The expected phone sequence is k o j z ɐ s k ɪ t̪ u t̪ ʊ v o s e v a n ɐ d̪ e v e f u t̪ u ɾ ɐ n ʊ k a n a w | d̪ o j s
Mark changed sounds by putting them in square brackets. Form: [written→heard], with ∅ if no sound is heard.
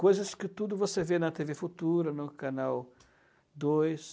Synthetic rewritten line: k o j z ɐ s k ɪ t̪ u [t̪→d̪] ʊ v o s e v [a→e] n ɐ [d̪→t̪] e v e f u t̪ u ɾ ɐ n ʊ k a n a w | d̪ o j s